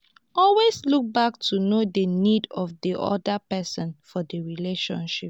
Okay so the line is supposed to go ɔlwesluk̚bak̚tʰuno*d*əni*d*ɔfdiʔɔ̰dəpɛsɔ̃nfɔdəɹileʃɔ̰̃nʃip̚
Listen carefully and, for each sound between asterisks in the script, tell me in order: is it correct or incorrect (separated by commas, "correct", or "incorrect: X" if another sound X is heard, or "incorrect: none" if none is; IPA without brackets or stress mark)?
correct, correct